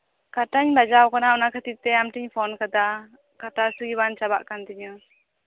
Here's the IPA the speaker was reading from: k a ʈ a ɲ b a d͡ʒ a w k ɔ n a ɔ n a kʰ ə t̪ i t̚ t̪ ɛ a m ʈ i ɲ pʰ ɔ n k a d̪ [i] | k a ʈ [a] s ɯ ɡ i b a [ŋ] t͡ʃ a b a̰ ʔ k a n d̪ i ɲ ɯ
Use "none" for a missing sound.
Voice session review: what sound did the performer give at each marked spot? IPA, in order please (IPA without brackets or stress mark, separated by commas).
a, a, n